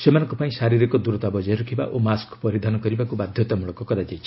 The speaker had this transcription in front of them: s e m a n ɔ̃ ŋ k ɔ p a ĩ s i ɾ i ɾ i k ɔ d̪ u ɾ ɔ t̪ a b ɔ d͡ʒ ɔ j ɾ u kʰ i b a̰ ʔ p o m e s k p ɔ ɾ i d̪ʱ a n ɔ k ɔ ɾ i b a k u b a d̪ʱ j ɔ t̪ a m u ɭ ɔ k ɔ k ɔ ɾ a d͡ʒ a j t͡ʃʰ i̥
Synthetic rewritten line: s e m a n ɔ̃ ŋ k ɔ p a ĩ s a ɾ i ɾ i k ɔ d̪ u ɾ ɔ t̪ a b ɔ d͡ʒ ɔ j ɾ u kʰ i b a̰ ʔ ʔ o m a s k p ɔ ɾ i d̪ʱ a n ɔ k ɔ ɾ i b a k u b a d̪ʱ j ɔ t̪ a m u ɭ ɔ k ɔ k ɔ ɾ a d͡ʒ a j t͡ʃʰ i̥